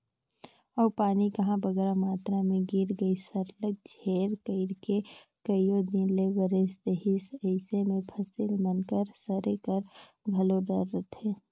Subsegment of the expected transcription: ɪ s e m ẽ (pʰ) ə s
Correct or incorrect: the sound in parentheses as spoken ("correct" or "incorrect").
correct